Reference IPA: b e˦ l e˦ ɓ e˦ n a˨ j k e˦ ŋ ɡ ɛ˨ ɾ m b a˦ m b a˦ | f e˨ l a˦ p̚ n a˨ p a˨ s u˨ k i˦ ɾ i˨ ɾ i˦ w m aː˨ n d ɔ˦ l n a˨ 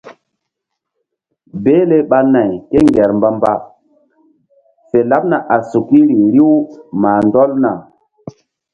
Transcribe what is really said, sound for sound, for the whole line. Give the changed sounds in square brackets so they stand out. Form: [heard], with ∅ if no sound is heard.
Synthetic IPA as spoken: b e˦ l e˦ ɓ [a˦] n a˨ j k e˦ ŋ ɡ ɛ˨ ɾ m b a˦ m b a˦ | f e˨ l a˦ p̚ n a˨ [ʔ] a˨ s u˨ k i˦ ɾ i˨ ɾ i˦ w m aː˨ n d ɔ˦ l n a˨

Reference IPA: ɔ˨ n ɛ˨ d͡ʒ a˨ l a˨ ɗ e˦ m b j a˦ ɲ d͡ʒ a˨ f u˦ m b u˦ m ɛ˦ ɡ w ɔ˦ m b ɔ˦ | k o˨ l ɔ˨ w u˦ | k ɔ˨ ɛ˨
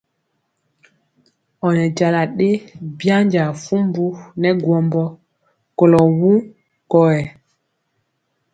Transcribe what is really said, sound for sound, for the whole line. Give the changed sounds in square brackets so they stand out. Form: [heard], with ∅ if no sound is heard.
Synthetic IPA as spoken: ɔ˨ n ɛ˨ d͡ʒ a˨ l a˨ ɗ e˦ [∅] b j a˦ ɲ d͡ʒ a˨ f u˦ m b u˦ [n] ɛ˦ ɡ w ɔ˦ m b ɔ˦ | k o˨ l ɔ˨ w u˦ | k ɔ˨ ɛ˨

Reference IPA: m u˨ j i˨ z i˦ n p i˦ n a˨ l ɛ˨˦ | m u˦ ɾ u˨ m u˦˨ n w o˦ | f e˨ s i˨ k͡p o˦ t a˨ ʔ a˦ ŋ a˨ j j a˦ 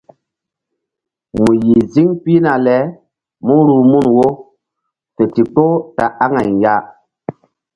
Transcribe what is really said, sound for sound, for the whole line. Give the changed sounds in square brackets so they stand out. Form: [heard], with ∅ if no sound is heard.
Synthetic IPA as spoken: m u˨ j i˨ z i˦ [ŋ] p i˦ n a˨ l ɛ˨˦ | m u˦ ɾ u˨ m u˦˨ n w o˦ | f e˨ [t] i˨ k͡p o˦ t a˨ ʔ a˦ ŋ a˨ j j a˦

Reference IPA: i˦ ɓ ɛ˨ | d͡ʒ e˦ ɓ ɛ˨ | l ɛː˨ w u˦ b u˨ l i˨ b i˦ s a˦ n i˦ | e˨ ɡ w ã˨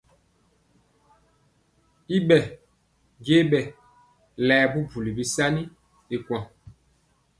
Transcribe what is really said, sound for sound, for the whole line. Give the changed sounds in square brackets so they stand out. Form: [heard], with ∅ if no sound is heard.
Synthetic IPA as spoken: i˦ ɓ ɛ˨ | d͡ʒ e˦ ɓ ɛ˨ | l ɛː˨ [b] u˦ b u˨ l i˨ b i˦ s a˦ n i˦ | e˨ [k] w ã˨

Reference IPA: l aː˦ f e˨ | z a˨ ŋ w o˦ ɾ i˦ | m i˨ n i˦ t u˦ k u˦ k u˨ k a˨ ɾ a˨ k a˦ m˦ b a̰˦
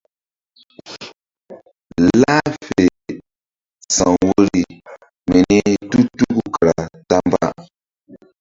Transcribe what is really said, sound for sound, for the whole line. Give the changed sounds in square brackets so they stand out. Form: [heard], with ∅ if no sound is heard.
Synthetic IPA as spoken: l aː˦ f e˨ | [s] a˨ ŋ w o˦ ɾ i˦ | m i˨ n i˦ t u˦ [t] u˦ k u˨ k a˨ ɾ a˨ [t] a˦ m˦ b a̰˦

